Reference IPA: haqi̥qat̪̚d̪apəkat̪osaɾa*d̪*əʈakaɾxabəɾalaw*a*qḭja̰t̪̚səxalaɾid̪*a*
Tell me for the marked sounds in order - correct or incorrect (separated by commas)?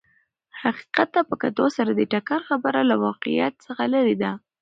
correct, incorrect, correct